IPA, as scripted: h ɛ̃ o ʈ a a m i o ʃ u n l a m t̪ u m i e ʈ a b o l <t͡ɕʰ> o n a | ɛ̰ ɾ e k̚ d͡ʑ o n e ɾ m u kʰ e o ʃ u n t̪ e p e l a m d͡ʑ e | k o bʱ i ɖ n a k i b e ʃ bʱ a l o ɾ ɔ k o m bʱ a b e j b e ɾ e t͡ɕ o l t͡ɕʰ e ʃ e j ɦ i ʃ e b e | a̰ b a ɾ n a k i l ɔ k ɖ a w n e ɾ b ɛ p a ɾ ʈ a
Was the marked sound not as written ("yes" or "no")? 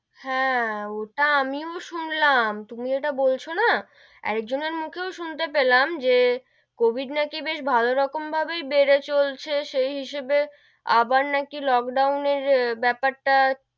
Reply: no